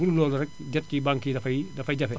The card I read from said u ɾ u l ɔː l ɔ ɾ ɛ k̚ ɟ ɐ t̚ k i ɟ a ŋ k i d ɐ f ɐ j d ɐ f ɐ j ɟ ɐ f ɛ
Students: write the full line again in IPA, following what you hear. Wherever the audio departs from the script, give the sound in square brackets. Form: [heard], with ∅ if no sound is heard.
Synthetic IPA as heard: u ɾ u l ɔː l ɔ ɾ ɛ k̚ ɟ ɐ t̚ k i [b] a ŋ k i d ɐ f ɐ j d ɐ f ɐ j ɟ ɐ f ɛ